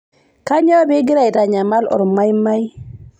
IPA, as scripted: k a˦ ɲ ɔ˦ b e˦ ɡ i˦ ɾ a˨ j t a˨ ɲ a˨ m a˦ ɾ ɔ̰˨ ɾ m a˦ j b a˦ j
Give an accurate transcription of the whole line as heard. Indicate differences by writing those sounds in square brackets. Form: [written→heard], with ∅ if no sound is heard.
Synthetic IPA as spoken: k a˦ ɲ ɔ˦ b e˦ ɡ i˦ ɾ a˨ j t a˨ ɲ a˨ m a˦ [ɾ→l] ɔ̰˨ ɾ m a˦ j [b→m] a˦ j